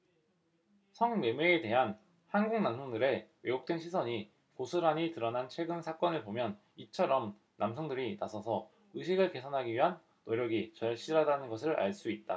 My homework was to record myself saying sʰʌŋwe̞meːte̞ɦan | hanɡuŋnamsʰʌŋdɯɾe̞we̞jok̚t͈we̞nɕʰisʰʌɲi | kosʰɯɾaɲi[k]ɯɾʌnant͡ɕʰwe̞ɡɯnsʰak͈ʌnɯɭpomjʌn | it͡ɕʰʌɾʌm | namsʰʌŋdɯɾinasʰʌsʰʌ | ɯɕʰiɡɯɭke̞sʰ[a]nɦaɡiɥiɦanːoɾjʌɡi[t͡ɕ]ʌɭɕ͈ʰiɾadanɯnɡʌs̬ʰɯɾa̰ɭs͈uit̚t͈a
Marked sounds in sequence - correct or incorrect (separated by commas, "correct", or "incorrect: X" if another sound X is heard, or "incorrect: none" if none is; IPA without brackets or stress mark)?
incorrect: t, incorrect: ʌ, correct